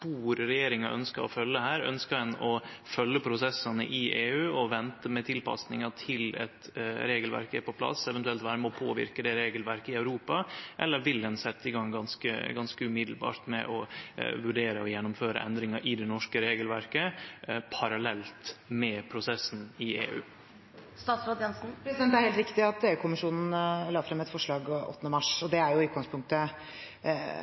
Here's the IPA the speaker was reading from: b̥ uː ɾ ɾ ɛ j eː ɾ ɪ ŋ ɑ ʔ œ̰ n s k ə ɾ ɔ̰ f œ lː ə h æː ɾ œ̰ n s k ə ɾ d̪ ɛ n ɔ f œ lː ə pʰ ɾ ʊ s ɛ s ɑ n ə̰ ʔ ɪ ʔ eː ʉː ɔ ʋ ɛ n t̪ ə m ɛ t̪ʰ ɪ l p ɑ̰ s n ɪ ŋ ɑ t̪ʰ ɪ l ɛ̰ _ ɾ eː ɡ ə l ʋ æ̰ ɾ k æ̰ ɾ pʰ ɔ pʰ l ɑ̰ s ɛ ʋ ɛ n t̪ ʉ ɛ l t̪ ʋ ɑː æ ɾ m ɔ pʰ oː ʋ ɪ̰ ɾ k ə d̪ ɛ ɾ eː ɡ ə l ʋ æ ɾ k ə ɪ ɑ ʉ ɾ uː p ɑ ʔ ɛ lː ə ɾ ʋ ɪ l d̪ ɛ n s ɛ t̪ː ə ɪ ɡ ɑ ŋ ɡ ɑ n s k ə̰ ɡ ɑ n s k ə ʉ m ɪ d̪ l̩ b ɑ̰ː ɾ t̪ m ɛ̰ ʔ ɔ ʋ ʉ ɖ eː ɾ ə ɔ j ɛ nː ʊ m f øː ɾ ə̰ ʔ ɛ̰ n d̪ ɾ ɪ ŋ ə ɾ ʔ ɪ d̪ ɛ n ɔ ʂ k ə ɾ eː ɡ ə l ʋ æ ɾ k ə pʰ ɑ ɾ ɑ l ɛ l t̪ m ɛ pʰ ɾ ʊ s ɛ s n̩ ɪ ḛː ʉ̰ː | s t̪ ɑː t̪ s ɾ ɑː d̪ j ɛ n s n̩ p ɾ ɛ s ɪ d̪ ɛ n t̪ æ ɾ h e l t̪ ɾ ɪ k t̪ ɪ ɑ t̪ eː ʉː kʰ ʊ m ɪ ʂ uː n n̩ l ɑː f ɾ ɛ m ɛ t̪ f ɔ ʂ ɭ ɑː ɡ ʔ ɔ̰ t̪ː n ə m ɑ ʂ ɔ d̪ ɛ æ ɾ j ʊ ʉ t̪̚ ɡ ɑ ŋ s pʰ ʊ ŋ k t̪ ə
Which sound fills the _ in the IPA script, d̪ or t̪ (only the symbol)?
t̪